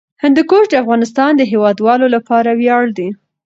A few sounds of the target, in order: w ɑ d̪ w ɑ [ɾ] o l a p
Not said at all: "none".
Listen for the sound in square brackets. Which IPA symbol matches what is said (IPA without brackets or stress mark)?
l